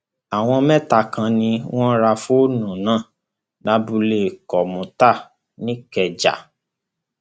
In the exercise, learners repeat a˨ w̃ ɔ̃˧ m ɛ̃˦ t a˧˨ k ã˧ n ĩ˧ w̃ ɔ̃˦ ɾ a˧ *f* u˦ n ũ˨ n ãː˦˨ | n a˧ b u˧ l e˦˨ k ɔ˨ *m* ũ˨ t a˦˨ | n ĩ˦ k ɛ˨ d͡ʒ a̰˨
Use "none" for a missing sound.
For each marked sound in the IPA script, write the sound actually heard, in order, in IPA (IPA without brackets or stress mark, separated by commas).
f, m